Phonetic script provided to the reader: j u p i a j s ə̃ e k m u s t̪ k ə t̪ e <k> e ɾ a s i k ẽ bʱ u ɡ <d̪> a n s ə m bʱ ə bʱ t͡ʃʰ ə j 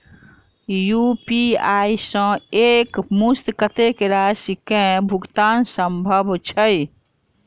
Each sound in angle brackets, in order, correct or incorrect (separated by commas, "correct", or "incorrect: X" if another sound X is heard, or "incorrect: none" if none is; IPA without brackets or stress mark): correct, incorrect: t̪